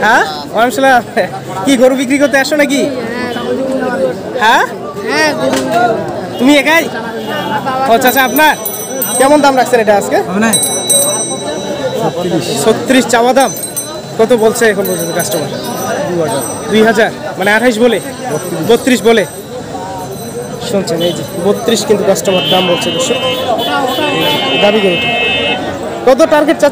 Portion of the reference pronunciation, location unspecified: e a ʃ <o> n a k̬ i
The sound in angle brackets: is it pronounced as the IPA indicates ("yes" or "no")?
yes